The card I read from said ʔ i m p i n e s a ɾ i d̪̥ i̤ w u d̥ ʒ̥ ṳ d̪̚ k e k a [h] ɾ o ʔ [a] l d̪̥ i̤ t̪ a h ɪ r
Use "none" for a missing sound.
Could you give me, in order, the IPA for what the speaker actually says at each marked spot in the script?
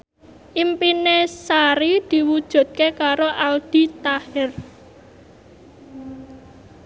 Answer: none, a

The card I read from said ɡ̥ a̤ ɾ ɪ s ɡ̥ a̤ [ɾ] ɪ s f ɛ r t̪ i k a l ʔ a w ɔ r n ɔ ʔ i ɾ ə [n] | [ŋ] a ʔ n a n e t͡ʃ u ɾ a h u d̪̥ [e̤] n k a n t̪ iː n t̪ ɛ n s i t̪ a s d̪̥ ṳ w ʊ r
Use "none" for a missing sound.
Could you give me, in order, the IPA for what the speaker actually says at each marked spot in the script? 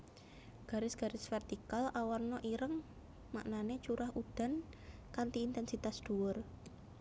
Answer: ɾ, ŋ, m, a̤

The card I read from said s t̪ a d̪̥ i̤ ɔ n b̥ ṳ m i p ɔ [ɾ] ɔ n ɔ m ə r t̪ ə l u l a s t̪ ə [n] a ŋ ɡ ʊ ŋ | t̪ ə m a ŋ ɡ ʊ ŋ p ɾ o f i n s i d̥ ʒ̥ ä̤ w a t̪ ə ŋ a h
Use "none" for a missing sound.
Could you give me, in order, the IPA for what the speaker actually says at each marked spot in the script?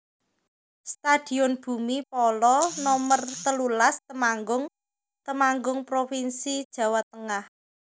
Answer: l, m

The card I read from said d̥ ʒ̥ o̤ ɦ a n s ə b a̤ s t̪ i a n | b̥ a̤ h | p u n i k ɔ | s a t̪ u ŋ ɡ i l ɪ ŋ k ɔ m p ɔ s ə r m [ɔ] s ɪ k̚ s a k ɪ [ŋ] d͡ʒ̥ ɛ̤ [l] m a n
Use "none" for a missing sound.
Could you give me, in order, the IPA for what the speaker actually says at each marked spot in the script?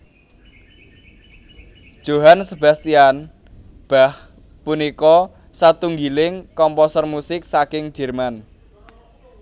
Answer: u, ŋ, r

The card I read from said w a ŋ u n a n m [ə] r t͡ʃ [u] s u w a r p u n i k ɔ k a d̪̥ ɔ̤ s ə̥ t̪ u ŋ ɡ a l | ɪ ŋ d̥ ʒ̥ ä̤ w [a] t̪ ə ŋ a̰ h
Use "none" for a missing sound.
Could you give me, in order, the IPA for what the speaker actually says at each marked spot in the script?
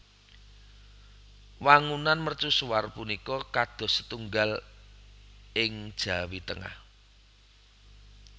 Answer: ə, u, i

